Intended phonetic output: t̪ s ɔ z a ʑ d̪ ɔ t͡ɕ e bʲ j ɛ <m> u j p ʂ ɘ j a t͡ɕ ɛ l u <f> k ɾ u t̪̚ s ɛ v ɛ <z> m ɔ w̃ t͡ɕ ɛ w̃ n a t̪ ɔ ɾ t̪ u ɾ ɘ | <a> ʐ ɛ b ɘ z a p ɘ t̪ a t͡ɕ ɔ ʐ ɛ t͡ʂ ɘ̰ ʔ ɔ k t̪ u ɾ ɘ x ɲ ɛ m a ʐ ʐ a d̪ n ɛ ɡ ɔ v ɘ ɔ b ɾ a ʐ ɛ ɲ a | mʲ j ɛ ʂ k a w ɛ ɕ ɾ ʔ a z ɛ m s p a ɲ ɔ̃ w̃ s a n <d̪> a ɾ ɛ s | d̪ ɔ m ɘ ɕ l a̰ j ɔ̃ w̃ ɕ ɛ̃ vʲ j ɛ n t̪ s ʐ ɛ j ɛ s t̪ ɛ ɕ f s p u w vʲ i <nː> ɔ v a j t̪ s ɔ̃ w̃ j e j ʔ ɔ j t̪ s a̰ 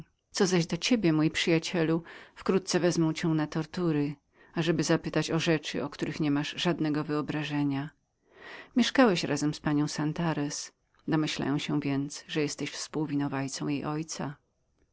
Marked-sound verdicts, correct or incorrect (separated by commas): correct, correct, correct, correct, incorrect, incorrect